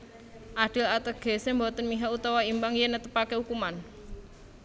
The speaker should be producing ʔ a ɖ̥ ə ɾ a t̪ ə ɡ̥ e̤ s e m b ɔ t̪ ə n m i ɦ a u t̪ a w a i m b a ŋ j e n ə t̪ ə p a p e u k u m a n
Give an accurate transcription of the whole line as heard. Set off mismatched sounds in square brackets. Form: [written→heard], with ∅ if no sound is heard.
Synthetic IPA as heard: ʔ a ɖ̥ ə [ɾ→l] a t̪ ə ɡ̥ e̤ s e m b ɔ t̪ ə n m i ɦ a u t̪ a w a i m b a ŋ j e n ə t̪ ə p a [p→k] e u k u m a n

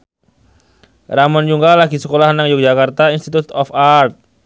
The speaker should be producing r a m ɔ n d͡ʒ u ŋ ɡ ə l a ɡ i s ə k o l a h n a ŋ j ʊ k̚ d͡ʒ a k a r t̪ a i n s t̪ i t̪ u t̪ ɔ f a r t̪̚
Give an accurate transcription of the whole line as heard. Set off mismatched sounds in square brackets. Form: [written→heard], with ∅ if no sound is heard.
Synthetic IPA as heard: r a m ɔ n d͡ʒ u ŋ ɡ [ə→a] l a ɡ i s ə k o l a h n a ŋ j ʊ k̚ d͡ʒ a k a r t̪ a i n s t̪ i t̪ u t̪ ɔ f a r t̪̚

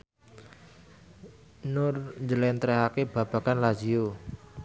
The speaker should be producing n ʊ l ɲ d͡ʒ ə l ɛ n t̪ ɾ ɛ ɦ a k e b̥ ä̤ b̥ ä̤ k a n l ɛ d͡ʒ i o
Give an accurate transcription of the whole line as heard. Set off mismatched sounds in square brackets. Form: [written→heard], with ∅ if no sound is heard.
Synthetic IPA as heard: n ʊ [l→r] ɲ d͡ʒ ə l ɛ n t̪ ɾ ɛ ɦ a k e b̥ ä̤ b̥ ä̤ k a n l [ɛ→a] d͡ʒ i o

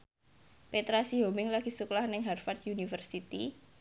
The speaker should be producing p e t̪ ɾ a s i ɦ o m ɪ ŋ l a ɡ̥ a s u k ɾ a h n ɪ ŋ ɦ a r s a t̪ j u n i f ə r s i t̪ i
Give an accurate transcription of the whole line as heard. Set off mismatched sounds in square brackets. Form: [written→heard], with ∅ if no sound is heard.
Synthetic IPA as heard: p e t̪ ɾ a s i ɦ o m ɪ ŋ l a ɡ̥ [a→i] s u k [ɾ→l] a h n ɪ ŋ ɦ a r [s→f] a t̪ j u n i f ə r s i t̪ i

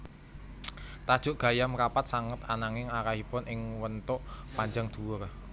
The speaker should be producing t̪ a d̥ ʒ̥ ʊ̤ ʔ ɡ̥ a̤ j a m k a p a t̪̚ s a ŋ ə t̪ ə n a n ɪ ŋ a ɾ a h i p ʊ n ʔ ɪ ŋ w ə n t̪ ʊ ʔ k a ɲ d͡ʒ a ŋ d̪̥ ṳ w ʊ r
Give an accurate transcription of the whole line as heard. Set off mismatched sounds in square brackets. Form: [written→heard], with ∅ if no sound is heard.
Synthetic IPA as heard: t̪ a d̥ ʒ̥ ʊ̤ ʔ ɡ̥ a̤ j a m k a p a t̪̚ s a ŋ ə t̪ [ə→a] n a [n→ŋ] ɪ ŋ a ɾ a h i p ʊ n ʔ ɪ ŋ w ə n t̪ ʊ ʔ [k→p] a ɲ d͡ʒ a ŋ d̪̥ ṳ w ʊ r

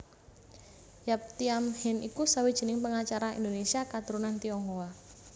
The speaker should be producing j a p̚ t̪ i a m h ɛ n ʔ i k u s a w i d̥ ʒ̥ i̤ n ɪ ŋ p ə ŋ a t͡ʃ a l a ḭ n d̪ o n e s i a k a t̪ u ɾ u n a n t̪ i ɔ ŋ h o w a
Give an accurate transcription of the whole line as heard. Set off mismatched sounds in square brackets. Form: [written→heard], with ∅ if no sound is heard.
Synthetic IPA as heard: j a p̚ t̪ i a m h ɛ n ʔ i k u s a w i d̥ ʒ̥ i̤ n ɪ ŋ p ə ŋ a t͡ʃ a [l→ɾ] a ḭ n d̪ o n e s i a k a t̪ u ɾ u n a n t̪ i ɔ ŋ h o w a

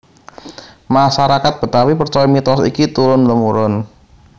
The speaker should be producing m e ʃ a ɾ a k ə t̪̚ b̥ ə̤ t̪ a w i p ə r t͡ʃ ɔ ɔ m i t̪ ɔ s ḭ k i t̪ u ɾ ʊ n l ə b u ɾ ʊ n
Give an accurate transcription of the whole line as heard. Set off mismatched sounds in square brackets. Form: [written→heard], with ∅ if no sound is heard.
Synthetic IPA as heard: m [e→a] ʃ a ɾ a k [ə→a] t̪̚ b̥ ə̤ t̪ a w i p ə r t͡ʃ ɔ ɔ m i t̪ ɔ s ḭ k i t̪ u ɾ ʊ n l ə [b→m] u ɾ ʊ n

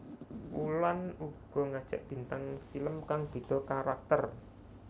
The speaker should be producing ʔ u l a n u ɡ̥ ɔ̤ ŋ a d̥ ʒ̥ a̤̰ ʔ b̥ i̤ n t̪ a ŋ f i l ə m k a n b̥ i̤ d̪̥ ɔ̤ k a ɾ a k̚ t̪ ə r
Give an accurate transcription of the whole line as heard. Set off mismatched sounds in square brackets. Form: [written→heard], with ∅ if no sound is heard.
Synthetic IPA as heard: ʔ u l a n u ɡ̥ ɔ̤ ŋ a d̥ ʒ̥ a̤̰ ʔ b̥ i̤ n t̪ a ŋ f i l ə m k a [n→ŋ] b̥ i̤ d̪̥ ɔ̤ k a ɾ a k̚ t̪ ə r

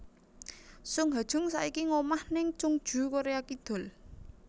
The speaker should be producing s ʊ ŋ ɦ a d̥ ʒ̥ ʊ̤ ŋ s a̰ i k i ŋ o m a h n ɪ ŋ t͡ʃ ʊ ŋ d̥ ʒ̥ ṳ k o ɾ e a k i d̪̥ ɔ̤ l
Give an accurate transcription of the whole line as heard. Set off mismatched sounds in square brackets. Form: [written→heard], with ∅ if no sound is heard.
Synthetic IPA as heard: s ʊ ŋ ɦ a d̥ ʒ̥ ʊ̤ ŋ s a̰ i k i ŋ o m a h n ɪ ŋ t͡ʃ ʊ ŋ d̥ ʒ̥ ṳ k o ɾ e a k i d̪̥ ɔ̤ l

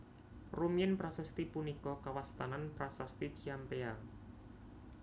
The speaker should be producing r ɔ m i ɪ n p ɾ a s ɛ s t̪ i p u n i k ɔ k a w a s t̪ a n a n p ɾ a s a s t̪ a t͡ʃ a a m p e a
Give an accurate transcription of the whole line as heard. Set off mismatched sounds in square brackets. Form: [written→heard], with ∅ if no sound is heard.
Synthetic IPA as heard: r [ɔ→u] m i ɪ n p ɾ a s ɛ s t̪ i p u n i k ɔ k a w a s t̪ a n a n p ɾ a s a s t̪ [a→i] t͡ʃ [a→i] a m p e a

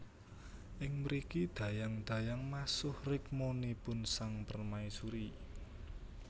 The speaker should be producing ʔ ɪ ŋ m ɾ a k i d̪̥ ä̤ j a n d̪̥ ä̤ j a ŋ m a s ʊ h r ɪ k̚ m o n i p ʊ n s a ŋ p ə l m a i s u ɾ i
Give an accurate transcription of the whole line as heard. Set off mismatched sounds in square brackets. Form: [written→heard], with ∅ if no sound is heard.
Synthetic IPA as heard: ʔ ɪ ŋ m ɾ [a→i] k i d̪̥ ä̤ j a [n→ŋ] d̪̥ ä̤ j a ŋ m a s ʊ h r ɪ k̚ m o n i p ʊ n s a ŋ p ə [l→r] m a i s u ɾ i

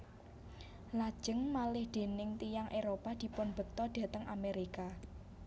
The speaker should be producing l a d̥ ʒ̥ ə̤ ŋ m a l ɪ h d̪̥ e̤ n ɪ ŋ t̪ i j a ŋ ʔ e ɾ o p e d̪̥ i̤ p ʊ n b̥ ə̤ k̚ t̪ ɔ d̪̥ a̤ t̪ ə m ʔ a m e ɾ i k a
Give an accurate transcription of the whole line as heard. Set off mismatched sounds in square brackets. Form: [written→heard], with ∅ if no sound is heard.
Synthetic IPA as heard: l a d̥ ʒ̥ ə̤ ŋ m a l ɪ h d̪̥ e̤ n ɪ ŋ t̪ i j a ŋ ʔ e ɾ o p [e→a] d̪̥ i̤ p ʊ n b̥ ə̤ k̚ t̪ ɔ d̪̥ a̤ t̪ ə [m→ŋ] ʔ a m e ɾ i k a

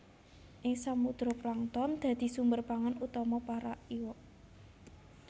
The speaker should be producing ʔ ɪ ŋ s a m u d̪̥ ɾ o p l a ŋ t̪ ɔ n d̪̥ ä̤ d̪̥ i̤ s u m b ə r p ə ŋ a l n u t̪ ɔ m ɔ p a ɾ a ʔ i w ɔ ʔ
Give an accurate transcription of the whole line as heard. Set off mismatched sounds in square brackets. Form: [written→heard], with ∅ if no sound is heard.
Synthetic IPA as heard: ʔ ɪ ŋ s a m u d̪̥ ɾ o p l a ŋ t̪ ɔ n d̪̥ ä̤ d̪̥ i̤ s u m b ə r p [ə→a] ŋ a [l→∅] n u t̪ ɔ m ɔ p a ɾ a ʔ i w ɔ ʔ

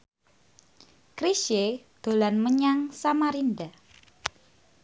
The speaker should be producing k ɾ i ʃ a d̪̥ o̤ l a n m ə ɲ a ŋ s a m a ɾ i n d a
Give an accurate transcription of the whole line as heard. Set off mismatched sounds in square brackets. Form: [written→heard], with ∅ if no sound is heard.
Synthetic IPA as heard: k ɾ i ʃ [a→e] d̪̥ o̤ l a n m ə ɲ a ŋ s a m a ɾ i n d a

